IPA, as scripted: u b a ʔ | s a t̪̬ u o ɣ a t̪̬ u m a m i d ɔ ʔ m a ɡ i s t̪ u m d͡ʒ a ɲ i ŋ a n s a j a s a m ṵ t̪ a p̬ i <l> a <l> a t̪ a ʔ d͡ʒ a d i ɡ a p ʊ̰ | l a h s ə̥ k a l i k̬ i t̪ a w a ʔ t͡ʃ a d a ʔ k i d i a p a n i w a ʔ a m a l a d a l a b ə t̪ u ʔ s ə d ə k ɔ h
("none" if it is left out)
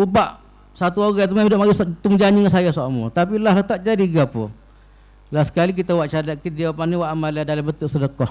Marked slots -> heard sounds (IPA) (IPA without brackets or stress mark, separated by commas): l, l